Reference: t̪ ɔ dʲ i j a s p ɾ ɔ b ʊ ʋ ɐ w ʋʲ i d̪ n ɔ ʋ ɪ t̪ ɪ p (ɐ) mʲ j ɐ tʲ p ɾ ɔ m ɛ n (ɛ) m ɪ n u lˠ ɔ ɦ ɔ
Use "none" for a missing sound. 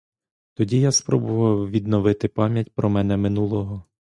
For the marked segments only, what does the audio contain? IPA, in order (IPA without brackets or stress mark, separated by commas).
ɑ, ɛ